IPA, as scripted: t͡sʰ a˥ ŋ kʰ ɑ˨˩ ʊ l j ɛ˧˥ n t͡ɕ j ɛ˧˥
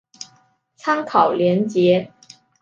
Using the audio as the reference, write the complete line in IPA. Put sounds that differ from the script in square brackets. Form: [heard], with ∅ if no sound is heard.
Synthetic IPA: t͡sʰ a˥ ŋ kʰ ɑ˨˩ ʊ l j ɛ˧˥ n t͡ɕ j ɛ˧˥